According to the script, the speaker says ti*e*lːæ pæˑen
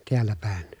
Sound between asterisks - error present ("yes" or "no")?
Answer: yes